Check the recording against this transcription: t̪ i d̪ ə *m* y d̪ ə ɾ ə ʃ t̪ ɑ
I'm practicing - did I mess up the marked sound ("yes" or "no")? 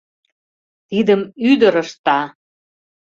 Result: no